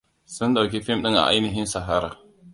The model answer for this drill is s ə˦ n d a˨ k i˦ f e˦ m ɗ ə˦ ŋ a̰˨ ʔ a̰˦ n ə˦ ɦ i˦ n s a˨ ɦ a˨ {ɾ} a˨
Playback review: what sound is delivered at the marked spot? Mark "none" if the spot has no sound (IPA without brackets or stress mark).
ɾ